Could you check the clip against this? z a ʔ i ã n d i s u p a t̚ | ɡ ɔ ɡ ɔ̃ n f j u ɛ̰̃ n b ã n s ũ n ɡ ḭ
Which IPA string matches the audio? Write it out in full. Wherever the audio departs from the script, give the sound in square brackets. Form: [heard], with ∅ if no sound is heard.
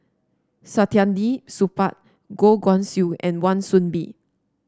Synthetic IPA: [s] a [t] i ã n d i s u p a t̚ | ɡ [o] ɡ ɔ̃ n [s] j u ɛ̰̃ n [w] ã n s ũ n [b] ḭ